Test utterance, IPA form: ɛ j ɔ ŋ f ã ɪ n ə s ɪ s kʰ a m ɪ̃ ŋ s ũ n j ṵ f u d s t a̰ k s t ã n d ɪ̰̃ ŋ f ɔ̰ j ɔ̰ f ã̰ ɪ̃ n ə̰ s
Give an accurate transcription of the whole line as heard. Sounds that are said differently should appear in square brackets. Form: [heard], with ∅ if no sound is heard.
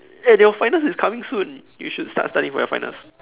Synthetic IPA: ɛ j ɔ [∅] f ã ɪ n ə s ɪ s kʰ a m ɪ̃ ŋ s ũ n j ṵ [ʃ] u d s t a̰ [t] s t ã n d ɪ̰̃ ŋ f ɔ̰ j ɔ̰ f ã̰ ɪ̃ n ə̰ s